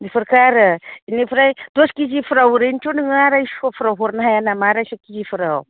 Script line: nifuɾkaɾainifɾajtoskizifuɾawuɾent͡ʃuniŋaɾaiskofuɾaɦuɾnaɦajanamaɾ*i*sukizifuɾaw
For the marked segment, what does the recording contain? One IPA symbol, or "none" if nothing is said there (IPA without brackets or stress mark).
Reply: a